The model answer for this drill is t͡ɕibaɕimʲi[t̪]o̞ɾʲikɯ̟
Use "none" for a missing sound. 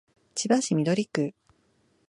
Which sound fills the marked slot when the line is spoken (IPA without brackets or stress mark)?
d̪